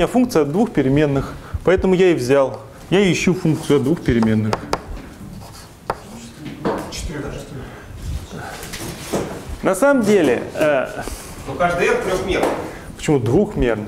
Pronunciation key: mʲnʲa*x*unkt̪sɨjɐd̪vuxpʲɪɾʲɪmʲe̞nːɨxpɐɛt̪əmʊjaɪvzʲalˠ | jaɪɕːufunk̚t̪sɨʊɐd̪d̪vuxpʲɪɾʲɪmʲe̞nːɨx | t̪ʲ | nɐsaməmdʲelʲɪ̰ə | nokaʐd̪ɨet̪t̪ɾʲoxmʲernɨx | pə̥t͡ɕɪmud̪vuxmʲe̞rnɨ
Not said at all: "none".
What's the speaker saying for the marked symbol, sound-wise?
f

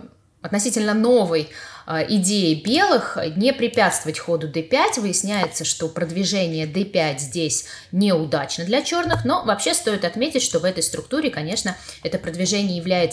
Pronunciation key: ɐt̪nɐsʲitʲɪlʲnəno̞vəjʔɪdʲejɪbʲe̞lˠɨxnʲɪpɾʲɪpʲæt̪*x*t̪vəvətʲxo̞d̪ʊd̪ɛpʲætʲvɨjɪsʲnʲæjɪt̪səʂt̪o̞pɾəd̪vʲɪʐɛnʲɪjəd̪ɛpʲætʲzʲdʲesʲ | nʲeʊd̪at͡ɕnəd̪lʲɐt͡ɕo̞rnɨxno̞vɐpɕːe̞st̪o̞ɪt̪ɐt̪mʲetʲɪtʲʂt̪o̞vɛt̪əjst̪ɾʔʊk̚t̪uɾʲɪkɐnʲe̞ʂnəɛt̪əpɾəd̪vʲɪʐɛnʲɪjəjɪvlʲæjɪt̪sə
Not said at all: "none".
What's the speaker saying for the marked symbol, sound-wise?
s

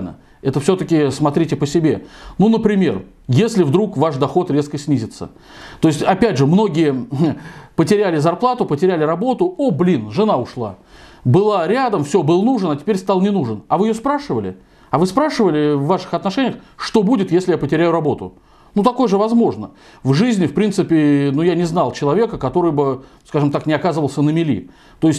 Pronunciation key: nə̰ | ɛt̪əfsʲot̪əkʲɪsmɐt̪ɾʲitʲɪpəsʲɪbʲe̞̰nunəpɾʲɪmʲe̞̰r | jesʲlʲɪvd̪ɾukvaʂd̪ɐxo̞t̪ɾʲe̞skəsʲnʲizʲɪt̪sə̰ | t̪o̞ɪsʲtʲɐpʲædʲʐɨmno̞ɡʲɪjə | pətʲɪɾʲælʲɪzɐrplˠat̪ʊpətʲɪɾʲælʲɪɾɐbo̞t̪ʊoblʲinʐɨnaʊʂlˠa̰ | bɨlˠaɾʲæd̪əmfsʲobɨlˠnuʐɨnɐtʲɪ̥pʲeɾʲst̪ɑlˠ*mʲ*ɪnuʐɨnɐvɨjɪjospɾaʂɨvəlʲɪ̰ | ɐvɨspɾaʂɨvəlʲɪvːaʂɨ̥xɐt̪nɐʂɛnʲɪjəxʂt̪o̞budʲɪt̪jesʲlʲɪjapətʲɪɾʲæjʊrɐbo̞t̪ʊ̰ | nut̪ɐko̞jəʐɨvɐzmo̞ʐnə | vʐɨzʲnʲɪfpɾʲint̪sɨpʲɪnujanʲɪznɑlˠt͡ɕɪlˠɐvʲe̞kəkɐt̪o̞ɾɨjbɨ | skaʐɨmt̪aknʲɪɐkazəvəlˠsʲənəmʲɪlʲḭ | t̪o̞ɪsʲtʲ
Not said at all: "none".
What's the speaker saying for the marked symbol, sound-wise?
nʲ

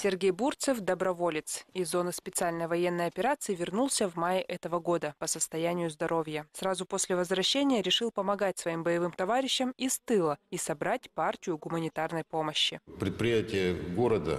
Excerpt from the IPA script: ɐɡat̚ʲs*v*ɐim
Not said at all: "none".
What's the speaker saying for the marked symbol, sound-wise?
v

